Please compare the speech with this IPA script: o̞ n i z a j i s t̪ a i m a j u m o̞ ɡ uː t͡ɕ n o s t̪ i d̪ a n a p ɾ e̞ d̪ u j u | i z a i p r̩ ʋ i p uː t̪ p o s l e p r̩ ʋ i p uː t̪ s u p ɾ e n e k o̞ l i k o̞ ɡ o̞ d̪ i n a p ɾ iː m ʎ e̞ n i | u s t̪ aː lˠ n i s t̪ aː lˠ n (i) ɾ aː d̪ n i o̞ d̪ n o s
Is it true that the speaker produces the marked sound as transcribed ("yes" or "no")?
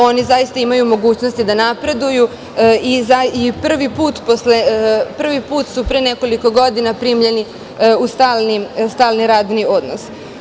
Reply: yes